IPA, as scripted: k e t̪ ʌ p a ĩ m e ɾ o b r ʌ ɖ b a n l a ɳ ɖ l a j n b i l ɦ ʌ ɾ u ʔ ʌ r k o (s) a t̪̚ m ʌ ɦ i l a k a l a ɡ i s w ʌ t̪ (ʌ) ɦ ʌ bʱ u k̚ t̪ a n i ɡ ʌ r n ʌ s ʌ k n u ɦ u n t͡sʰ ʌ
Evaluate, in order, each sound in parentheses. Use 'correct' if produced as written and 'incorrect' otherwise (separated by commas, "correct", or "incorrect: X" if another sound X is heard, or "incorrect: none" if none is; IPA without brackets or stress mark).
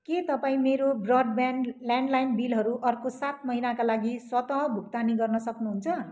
correct, correct